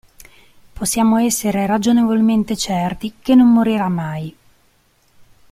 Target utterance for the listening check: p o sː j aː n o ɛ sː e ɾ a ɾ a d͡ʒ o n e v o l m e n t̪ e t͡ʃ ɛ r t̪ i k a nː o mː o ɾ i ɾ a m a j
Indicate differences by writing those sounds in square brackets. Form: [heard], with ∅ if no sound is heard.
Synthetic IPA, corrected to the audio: p o sː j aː [m] o ɛ sː e ɾ [e] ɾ a d͡ʒ o n e v o l m e n t̪ e t͡ʃ ɛ r t̪ i k [e] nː o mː o ɾ i ɾ a m a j